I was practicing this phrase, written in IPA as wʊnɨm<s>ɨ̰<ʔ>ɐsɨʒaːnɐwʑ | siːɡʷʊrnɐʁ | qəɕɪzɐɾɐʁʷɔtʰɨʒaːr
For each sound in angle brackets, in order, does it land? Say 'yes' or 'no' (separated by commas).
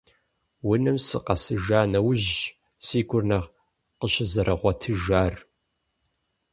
yes, no